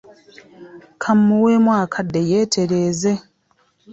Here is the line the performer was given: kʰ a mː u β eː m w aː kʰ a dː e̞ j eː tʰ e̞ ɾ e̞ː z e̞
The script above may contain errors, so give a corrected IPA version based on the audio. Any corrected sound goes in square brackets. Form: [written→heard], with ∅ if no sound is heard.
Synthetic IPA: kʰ a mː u [β→w] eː m w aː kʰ a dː e̞ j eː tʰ e̞ ɾ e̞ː z e̞